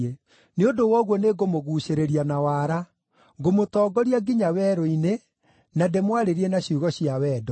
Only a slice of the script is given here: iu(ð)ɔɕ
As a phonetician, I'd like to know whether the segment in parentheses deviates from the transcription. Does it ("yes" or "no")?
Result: yes